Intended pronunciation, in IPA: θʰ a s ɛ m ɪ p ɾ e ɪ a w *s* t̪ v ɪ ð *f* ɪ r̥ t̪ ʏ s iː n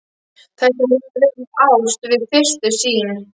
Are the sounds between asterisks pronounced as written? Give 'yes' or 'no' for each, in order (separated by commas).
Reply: yes, yes